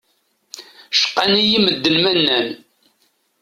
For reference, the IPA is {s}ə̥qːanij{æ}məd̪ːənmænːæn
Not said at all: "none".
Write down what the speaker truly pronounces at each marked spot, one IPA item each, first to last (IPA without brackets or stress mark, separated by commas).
ʃ, i